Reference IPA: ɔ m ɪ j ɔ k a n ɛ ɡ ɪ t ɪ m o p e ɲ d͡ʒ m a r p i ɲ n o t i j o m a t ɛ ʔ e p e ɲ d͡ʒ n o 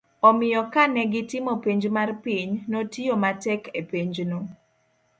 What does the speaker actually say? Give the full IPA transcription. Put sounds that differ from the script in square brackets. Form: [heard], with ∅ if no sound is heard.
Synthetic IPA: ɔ m ɪ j ɔ k a n ɛ ɡ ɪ t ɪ m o p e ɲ d͡ʒ m a r p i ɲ n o t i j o m a t ɛ [k] e p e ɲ d͡ʒ n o